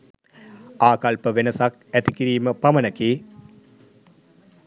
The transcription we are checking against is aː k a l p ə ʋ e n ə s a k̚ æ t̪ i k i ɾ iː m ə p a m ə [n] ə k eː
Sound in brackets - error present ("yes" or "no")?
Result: no